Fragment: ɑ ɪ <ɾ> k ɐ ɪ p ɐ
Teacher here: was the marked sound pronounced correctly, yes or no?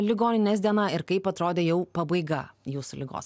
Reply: yes